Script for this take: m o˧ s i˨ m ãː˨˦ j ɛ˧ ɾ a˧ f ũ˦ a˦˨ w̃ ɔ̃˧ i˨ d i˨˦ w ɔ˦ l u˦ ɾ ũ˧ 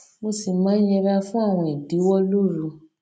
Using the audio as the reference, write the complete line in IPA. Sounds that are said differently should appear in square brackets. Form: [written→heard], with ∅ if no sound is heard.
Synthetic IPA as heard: m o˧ s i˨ m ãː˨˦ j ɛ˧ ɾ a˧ f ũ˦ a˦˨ w̃ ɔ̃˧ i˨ d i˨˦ w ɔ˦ l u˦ ɾ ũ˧